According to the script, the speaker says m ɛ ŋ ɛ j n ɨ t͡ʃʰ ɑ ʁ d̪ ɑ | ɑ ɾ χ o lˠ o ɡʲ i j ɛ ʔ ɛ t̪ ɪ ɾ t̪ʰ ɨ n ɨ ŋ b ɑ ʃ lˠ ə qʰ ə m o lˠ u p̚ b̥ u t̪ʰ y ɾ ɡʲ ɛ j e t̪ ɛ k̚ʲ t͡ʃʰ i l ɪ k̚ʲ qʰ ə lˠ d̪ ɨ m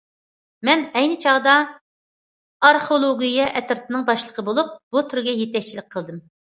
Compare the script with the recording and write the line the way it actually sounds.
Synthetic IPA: m ɛ n ɛ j n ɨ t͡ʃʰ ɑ ʁ d̪ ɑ | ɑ ɾ χ o lˠ o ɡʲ i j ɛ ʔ ɛ t̪ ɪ ɾ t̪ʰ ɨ n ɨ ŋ b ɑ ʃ lˠ ə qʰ ə b o lˠ u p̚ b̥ u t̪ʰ y ɾ ɡʲ ɛ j e t̪ ɛ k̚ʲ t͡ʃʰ i l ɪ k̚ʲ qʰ ə lˠ d̪ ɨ m